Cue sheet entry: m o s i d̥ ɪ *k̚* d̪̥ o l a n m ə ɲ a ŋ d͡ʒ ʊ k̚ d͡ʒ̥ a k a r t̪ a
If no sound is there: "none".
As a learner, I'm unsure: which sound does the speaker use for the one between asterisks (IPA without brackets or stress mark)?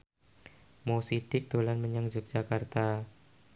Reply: k̚